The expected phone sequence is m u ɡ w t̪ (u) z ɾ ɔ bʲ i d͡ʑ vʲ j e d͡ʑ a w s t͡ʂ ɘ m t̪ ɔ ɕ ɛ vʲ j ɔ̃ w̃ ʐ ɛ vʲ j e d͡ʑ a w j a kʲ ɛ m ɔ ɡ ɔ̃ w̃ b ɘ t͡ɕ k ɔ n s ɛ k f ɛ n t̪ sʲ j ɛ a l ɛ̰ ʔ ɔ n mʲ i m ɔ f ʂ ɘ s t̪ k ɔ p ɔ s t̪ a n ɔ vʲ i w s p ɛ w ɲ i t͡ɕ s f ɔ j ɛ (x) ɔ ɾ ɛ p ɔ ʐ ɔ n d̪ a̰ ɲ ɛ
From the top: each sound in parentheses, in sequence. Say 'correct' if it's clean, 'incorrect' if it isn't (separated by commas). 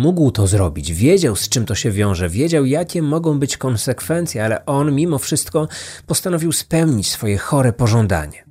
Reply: incorrect, correct